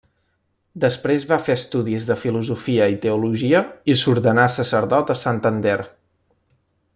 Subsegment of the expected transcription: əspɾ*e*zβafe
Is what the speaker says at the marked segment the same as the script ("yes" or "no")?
yes